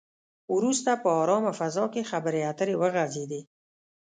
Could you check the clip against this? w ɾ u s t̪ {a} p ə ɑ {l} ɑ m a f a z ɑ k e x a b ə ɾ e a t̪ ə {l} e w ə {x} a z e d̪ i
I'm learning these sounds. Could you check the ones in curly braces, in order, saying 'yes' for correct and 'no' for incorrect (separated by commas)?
yes, no, no, no